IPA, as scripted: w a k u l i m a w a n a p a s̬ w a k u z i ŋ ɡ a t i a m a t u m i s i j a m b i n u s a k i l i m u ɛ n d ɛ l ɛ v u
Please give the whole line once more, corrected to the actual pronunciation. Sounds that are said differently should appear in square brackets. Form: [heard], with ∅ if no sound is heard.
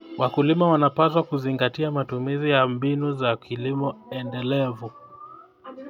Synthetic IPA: w a k u l i m a w a n a p a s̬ w a k u z i ŋ ɡ a t i a m a t u m i [z] i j a m b i n u [z] a k i l i m [ɔ] ɛ n d ɛ l ɛ v u